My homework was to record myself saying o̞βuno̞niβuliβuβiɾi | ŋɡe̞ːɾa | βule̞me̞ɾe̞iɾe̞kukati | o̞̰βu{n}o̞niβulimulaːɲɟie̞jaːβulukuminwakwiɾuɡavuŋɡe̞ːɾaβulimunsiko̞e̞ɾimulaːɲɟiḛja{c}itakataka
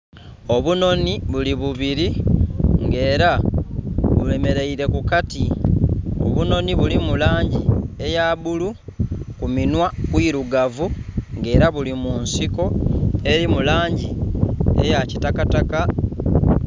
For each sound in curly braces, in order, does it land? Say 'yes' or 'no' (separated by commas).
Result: yes, yes